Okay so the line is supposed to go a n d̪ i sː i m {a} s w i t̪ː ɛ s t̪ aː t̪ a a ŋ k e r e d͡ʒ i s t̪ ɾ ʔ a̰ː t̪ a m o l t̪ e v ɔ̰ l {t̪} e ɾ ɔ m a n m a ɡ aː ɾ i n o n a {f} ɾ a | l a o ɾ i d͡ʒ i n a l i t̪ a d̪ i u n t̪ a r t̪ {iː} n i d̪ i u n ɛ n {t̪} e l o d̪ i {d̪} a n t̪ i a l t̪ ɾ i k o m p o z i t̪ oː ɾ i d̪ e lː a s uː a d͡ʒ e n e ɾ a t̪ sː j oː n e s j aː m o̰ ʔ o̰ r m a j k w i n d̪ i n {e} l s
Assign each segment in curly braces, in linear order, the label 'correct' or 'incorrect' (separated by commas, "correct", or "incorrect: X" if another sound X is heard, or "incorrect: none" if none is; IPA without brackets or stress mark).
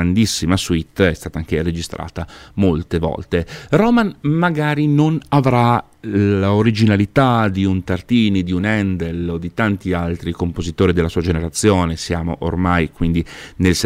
correct, correct, incorrect: v, correct, incorrect: d̪, incorrect: t̪, correct